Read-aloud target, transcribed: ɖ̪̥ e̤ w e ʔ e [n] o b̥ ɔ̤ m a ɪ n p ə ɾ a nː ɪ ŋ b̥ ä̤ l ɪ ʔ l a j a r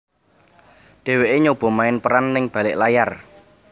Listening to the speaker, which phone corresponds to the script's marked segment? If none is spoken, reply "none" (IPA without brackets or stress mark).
ɲ